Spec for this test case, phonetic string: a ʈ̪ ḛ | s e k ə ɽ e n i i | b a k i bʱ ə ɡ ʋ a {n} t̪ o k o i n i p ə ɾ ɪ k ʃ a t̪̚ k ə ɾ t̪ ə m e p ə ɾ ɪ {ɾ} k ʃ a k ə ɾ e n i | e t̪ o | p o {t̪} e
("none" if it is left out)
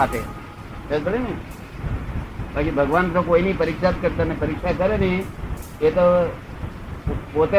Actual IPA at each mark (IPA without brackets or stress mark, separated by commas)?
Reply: n, none, t̪